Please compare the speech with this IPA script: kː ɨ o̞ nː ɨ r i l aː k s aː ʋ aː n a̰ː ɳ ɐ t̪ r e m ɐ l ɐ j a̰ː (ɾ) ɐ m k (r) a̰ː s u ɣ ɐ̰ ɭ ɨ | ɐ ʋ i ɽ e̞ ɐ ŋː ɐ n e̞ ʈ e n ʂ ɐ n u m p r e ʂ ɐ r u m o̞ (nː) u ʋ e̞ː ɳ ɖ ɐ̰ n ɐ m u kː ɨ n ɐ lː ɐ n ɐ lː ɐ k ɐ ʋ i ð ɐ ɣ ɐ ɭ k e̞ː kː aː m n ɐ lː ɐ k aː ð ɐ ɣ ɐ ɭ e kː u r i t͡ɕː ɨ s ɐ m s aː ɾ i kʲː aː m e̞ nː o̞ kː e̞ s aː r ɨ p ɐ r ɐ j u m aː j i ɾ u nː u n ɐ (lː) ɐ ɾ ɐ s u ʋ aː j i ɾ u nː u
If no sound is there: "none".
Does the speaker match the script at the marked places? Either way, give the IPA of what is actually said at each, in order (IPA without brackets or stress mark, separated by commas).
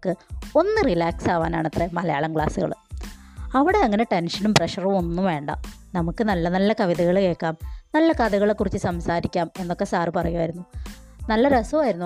ɭ, ɭ, nː, lː